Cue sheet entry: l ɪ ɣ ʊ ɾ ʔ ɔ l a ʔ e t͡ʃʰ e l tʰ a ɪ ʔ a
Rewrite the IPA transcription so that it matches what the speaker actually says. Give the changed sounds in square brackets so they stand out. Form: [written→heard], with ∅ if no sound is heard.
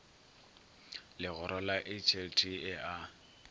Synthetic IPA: l ɪ ɣ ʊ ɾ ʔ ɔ l a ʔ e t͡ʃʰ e l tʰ [a→i] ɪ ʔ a